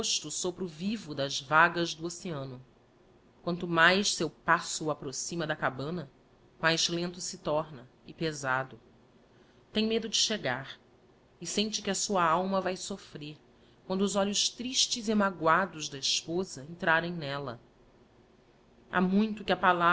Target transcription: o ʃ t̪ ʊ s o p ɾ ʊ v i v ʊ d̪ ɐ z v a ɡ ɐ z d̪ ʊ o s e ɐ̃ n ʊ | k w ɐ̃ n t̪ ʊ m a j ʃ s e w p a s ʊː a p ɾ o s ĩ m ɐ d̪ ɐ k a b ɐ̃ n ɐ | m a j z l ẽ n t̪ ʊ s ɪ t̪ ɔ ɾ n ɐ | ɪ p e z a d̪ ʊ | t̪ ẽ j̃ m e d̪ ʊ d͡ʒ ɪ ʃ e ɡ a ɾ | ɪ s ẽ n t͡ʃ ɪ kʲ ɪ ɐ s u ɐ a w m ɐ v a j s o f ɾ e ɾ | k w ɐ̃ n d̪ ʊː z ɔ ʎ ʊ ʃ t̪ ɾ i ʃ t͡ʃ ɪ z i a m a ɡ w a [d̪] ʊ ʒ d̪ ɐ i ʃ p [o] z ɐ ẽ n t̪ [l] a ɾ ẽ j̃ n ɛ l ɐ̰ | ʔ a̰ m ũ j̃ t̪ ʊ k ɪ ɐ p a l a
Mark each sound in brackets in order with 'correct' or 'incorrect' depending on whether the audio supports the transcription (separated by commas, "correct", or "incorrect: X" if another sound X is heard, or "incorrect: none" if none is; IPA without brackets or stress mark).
correct, correct, incorrect: ɾ